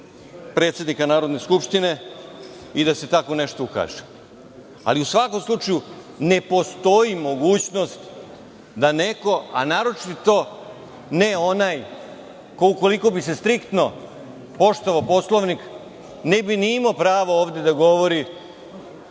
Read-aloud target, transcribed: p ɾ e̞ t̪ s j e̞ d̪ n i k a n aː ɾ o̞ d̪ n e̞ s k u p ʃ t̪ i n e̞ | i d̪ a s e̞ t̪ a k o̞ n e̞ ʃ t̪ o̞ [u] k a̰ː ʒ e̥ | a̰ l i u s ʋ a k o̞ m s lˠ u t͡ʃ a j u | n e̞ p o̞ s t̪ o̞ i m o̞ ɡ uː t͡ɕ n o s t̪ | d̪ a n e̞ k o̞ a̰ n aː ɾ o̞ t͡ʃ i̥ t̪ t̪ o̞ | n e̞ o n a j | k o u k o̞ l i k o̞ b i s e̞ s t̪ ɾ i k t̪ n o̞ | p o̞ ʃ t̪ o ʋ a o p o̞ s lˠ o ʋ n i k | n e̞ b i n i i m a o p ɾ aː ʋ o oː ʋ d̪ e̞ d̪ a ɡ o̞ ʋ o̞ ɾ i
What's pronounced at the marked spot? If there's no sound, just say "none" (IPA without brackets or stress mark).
u